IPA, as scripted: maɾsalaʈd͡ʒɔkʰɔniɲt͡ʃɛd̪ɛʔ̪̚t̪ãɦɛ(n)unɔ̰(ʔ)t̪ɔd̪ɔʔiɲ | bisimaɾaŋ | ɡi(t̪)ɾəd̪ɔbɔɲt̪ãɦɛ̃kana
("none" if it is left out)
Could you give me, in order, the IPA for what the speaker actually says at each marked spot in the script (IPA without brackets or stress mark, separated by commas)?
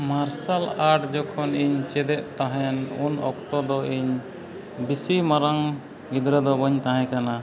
n, k, d̪